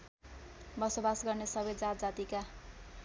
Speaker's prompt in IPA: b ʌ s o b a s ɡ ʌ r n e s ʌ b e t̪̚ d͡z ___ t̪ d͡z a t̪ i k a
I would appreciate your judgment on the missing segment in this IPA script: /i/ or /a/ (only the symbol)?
a